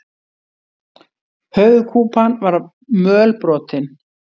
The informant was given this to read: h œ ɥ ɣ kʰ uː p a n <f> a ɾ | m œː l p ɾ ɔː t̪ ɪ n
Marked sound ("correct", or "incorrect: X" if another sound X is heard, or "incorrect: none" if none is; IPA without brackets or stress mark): incorrect: v